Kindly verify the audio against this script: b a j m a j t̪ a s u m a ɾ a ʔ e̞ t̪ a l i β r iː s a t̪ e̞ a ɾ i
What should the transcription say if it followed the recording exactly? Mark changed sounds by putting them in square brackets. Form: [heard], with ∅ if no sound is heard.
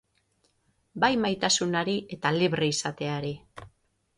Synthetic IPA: b a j m a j t̪ a s u [n] a ɾ [i] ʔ e̞ t̪ a l i β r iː s a t̪ e̞ a ɾ i